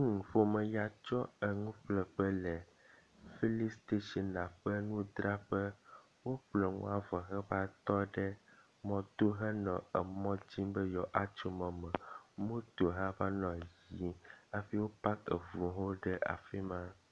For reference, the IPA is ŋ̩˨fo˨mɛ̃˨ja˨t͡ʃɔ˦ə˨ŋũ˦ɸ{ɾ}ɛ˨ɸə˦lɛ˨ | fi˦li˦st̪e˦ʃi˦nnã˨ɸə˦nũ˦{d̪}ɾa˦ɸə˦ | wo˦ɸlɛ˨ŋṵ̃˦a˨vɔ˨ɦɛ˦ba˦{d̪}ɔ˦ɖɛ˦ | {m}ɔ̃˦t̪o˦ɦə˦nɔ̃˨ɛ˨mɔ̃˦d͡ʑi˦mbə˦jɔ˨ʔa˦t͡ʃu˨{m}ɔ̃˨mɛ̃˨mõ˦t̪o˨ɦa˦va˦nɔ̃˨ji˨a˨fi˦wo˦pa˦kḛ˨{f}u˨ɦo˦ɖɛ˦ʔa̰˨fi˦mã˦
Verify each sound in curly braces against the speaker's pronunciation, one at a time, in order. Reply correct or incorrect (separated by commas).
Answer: incorrect, correct, incorrect, correct, correct, incorrect